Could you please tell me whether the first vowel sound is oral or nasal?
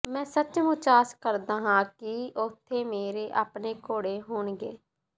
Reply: nasal